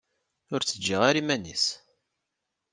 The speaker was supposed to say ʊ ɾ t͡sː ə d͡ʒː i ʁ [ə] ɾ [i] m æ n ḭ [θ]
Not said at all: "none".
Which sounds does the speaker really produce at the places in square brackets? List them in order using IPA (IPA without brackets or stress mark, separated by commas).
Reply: a, i, s